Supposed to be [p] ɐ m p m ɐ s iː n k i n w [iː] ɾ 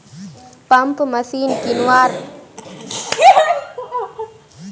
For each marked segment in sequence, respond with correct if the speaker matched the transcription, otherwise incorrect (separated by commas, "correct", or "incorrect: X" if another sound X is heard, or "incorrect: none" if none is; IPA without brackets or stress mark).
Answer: correct, incorrect: aː